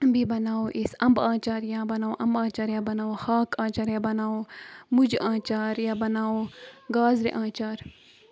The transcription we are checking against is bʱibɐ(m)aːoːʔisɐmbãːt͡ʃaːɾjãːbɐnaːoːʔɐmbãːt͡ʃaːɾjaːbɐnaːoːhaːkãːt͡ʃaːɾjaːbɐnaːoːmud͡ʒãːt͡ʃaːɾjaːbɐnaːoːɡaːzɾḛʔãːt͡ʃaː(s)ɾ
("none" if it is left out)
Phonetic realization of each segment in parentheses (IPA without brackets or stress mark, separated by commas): n, none